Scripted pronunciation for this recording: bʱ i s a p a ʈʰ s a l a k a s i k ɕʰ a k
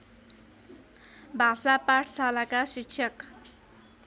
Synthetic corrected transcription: bʱ a s a p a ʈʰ s a l a k a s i k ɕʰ ʌ k